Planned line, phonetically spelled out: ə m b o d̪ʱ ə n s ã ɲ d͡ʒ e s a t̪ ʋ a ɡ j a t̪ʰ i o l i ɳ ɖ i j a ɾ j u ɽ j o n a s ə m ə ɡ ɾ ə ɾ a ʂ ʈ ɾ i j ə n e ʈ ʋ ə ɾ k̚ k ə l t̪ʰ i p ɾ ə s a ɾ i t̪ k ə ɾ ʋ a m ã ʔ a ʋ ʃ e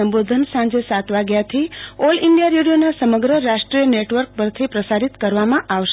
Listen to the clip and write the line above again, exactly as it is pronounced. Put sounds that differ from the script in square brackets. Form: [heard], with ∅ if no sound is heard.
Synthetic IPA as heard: ə m b o d̪ʱ ə n s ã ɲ d͡ʒ e s a t̪ ʋ a ɡ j a t̪ʰ i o l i ɳ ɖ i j a ɾ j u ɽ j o n a s ə m ə ɡ ɾ ə ɾ a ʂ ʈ ɾ i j ə n e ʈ ʋ ə ɾ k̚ [p] ə [ɾ] t̪ʰ i p ɾ ə s a ɾ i t̪ k ə ɾ ʋ a m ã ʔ a ʋ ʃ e